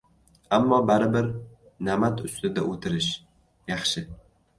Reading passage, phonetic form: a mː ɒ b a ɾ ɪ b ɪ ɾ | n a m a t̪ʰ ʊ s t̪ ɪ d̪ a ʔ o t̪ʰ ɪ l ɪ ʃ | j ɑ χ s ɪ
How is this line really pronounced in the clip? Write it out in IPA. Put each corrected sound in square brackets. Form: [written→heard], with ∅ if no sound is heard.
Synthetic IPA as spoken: a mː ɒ b a ɾ ɪ b ɪ ɾ | n a m a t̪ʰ ʊ s t̪ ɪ d̪ a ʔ o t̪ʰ ɪ [l→ɾ] ɪ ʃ | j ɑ χ [s→ʃ] ɪ